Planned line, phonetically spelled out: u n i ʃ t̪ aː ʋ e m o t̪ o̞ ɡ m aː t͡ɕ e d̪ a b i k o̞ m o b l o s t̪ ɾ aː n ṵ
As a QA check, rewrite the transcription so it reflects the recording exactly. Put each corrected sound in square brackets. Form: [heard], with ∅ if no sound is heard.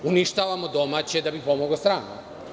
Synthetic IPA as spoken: u n i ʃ t̪ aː ʋ [a] m o [d̪] o̞ [∅] m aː t͡ɕ e d̪ a b i [p] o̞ m o [ɡ] l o s t̪ ɾ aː n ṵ